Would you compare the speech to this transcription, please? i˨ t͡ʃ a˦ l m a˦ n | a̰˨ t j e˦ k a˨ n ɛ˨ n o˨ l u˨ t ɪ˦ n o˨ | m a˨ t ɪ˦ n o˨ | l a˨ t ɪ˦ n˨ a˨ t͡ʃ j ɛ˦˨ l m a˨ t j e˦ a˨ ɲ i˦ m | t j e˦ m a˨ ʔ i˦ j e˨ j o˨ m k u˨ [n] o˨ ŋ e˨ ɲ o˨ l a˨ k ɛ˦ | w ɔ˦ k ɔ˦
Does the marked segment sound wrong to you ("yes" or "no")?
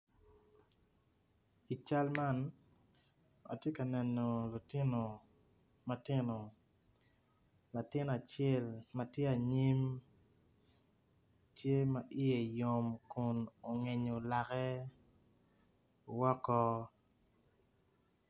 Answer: no